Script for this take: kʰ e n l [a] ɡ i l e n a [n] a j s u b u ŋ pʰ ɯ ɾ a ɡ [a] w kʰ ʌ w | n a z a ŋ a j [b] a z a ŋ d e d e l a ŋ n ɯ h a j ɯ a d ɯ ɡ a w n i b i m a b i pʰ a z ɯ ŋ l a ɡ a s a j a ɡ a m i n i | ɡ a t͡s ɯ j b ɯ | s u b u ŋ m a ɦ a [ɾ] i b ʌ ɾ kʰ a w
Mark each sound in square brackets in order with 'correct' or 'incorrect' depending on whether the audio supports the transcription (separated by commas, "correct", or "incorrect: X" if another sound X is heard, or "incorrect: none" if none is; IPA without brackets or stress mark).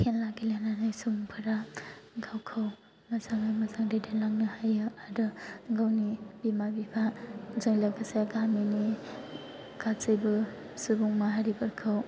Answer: correct, correct, correct, incorrect: m, correct